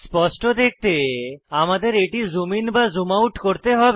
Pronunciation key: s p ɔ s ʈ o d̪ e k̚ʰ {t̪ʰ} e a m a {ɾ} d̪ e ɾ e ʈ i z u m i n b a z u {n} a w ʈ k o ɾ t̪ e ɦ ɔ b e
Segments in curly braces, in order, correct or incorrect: incorrect, incorrect, incorrect

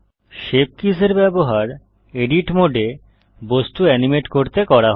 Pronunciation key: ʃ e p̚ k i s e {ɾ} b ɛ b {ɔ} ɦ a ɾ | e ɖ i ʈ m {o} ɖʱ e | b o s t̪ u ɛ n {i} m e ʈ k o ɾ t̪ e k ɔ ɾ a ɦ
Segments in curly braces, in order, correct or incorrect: correct, incorrect, correct, correct

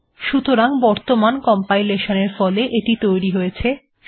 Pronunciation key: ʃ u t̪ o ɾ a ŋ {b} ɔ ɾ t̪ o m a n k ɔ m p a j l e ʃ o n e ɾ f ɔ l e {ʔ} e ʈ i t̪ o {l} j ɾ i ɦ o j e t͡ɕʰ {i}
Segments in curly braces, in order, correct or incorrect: correct, correct, incorrect, incorrect

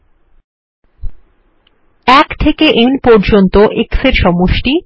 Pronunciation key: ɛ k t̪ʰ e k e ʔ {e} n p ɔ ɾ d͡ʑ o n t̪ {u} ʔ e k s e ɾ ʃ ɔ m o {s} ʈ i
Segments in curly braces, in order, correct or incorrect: correct, incorrect, incorrect

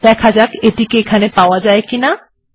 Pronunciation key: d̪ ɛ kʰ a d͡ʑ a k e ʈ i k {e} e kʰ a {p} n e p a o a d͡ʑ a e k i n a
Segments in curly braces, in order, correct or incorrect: correct, incorrect

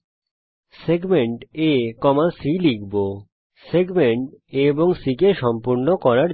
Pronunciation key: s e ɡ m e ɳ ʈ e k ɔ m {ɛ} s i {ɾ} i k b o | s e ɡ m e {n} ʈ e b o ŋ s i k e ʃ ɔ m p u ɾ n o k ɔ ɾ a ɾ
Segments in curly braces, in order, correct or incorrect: incorrect, incorrect, incorrect

